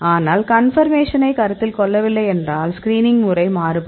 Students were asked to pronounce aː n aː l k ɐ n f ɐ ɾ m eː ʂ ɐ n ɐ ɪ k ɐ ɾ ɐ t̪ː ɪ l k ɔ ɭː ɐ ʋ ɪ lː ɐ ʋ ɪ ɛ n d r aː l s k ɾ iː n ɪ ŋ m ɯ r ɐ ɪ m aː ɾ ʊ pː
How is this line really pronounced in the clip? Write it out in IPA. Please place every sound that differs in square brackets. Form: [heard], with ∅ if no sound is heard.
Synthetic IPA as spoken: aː n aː l k ɐ n f ɐ ɾ m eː ʂ ɐ n ɐ ɪ k ɐ ɾ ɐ t̪ː ɪ l k ɔ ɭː ɐ ʋ ɪ lː ɐ [∅] ɪ ɛ n d r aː l s k ɾ iː n ɪ ŋ m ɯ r ɐ ɪ m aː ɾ [ɯ] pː